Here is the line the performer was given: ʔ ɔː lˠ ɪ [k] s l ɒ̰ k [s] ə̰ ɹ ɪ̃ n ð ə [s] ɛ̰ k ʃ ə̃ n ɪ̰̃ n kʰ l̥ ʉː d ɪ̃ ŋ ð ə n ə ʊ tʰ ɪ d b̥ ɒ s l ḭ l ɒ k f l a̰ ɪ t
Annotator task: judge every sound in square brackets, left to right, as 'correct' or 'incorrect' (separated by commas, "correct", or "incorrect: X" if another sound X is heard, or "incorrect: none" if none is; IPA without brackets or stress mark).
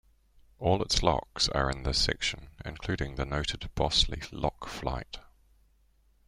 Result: incorrect: t, correct, correct